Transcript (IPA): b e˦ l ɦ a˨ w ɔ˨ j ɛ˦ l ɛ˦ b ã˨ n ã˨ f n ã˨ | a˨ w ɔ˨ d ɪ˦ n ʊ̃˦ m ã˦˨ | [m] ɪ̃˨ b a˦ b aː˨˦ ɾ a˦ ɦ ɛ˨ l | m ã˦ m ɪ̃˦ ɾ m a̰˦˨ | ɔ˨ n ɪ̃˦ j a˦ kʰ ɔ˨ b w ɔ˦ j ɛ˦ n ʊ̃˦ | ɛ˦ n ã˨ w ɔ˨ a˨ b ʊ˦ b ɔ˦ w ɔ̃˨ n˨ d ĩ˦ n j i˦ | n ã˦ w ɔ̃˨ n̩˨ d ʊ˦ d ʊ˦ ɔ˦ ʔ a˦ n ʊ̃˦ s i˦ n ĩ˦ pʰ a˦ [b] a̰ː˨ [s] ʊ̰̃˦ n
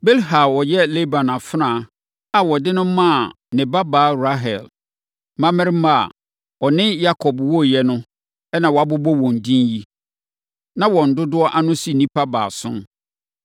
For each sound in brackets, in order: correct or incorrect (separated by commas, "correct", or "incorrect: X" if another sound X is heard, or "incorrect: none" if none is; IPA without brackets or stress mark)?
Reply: incorrect: n, correct, correct